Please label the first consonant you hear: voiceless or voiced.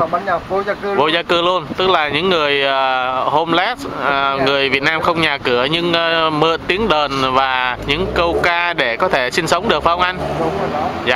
voiced